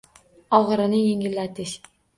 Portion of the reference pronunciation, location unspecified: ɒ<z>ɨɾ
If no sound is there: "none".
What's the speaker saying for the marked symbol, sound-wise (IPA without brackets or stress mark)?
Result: ʁ